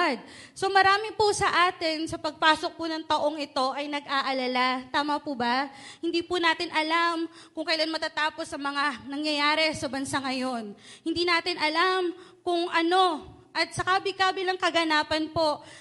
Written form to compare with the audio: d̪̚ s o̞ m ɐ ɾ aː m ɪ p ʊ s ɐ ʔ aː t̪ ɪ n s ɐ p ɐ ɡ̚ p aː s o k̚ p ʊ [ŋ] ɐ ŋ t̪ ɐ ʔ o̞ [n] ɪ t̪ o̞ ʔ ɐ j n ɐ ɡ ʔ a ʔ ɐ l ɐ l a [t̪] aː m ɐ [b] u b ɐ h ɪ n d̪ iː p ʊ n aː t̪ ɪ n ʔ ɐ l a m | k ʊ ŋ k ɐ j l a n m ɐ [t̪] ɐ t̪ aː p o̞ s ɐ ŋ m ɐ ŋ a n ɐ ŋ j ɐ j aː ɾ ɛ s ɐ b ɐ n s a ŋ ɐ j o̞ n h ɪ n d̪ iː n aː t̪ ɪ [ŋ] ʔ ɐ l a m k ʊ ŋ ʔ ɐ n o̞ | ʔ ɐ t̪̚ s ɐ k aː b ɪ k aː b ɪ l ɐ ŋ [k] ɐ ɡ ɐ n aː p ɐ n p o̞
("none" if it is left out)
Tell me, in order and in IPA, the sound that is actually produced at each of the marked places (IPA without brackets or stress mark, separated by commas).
n, ŋ, t̪, p, t̪, n, k